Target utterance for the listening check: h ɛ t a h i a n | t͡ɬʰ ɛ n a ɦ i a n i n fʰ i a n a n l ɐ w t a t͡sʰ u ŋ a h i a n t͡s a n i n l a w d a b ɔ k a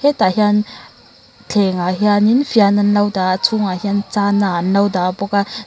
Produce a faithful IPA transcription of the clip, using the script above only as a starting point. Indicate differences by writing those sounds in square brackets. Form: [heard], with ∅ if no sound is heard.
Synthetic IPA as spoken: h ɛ t a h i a n | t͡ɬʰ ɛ [ŋ] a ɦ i a n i n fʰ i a n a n l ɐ w [d] a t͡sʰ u ŋ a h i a n t͡s a n [a] n l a w d a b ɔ k a